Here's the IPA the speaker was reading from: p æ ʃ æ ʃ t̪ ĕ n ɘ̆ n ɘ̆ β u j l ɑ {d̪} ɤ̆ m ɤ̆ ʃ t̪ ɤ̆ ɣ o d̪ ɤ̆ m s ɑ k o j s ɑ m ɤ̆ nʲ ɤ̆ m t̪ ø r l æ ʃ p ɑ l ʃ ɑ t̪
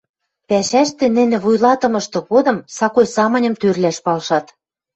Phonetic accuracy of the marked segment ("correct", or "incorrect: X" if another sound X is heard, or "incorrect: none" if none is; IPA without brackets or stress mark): incorrect: t̪